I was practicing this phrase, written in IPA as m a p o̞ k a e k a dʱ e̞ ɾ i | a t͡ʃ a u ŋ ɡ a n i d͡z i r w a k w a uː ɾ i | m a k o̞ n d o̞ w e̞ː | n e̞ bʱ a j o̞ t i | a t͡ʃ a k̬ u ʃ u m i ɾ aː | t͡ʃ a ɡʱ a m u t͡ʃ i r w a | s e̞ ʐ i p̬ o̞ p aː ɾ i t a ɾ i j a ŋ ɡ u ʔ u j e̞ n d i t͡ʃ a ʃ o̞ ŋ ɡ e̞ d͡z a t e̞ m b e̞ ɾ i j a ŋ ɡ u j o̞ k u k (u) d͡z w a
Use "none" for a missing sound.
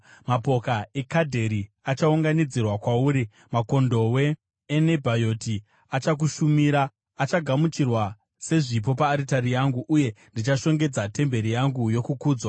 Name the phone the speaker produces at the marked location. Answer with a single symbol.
uː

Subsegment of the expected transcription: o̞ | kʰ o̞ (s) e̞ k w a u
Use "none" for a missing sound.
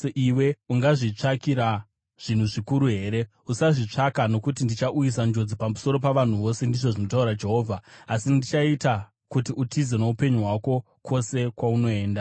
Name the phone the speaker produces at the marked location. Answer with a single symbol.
s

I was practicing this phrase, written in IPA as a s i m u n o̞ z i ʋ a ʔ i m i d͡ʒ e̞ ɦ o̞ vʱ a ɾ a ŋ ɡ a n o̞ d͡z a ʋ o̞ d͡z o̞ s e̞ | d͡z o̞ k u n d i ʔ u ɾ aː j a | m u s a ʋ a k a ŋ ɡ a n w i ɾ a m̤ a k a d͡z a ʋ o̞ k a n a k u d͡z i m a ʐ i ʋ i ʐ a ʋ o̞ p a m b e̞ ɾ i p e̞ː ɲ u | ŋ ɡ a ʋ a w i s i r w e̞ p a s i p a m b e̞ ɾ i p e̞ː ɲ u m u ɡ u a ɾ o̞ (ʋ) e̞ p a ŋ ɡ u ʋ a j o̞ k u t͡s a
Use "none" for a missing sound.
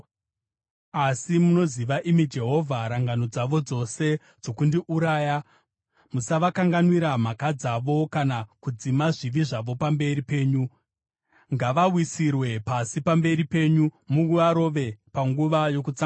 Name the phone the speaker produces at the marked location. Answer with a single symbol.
ʋ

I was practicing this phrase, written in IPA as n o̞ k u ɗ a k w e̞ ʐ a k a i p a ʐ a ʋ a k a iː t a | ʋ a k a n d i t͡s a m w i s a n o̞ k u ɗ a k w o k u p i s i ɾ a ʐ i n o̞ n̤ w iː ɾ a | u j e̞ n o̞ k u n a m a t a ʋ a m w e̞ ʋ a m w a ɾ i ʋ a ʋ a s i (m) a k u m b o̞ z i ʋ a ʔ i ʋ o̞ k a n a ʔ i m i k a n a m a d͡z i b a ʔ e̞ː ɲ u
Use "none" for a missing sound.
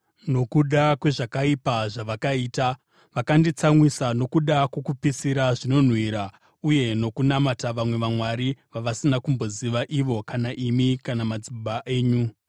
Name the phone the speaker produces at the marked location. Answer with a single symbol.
n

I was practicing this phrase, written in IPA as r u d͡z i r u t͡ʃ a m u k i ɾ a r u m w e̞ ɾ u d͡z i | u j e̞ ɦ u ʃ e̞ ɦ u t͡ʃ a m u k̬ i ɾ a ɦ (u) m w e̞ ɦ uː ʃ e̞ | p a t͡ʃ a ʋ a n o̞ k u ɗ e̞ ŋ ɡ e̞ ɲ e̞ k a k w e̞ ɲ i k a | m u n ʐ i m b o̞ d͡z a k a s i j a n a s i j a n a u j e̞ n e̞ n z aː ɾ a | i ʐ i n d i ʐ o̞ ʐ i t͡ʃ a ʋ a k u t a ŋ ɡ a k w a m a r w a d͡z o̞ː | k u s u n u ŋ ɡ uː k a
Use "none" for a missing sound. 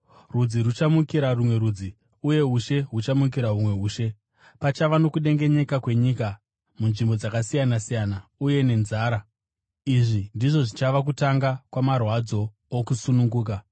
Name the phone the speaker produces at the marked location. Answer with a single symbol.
u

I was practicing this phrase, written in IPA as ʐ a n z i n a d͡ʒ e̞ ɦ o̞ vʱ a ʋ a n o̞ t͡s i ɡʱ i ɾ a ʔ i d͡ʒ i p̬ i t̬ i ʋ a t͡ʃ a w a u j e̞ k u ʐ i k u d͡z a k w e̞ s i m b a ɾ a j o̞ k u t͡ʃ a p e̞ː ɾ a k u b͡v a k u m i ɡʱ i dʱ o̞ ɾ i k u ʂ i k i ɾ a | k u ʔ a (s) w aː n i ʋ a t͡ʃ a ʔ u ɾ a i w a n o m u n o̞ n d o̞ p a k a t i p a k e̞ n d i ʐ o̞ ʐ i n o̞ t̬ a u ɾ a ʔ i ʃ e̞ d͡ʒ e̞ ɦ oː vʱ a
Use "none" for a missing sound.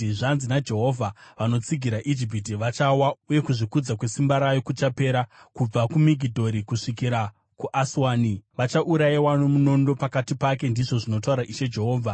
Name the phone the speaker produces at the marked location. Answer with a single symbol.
s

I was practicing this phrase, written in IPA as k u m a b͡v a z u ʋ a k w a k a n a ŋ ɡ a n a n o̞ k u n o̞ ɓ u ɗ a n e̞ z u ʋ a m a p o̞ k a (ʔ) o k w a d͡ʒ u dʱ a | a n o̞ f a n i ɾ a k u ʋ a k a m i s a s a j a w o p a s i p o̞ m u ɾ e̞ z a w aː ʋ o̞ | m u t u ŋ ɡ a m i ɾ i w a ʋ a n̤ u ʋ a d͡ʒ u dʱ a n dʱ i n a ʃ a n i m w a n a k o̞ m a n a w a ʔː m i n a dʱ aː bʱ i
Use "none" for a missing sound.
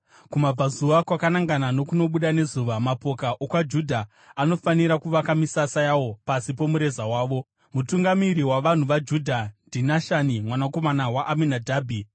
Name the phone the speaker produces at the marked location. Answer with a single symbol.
ʔ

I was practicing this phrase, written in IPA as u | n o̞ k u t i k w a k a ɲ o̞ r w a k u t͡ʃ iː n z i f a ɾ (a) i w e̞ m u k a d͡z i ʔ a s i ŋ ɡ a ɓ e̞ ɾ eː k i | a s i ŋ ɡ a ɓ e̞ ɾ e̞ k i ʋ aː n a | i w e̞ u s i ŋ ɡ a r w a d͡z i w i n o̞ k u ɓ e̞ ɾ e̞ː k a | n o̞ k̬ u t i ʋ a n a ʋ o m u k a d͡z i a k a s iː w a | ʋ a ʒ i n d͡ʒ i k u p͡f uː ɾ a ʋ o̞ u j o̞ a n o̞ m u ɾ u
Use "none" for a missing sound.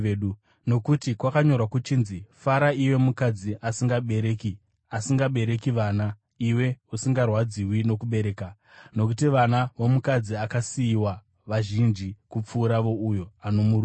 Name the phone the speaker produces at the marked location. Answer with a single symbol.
a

